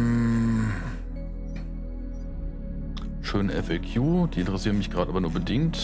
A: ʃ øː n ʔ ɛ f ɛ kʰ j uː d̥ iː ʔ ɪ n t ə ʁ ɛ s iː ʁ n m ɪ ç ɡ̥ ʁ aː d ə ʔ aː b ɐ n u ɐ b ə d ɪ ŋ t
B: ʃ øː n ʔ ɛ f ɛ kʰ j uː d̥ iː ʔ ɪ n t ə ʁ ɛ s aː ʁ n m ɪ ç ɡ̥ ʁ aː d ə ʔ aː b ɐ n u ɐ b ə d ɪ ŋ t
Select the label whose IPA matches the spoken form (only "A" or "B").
A